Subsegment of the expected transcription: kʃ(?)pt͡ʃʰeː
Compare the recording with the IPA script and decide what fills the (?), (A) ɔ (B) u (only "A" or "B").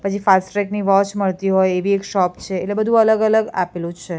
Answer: A